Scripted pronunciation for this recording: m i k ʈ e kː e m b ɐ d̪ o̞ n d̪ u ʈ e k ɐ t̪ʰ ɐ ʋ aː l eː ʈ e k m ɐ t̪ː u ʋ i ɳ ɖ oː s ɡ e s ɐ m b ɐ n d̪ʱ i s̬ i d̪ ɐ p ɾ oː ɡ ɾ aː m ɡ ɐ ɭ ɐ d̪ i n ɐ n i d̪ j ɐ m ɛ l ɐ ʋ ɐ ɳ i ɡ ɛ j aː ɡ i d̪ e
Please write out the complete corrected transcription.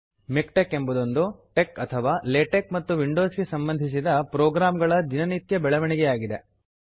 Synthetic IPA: m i k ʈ e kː e m b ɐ d̪ o̞ n d̪ u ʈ e k ɐ t̪ʰ ɐ ʋ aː l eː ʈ e k m ɐ t̪ː u ʋ i ɳ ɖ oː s ɡ e s ɐ m b ɐ n d̪ʱ i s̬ i d̪ ɐ p ɾ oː ɡ ɾ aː m ɡ ɐ ɭ ɐ d̪ i n ɐ n i t̪ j ɐ b ɛ ɭ ɐ ʋ ɐ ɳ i ɡ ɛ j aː ɡ i d̪ e